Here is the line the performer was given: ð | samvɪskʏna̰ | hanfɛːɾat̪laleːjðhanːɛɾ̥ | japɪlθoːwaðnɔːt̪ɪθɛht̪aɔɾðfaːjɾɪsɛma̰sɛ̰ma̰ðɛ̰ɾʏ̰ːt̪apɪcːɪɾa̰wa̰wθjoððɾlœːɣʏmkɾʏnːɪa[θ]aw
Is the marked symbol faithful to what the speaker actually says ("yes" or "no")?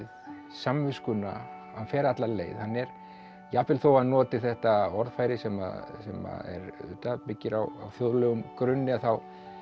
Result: yes